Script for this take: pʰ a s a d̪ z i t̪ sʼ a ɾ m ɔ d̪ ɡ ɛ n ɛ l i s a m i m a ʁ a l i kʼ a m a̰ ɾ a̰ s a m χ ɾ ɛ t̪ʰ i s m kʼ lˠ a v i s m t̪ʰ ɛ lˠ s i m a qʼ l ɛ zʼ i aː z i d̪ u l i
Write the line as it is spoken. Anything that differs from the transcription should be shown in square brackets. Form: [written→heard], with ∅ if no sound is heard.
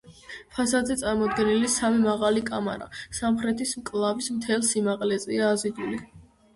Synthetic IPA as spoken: pʰ a s a d̪ z [i→ɛ] t̪ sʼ a ɾ m ɔ d̪ ɡ ɛ n [ɛ→i] l i s a m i m a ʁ a l i kʼ a m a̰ ɾ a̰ s a m χ ɾ ɛ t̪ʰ i s m kʼ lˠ a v i s m t̪ʰ ɛ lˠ s i m a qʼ l ɛ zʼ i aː z i d̪ u l i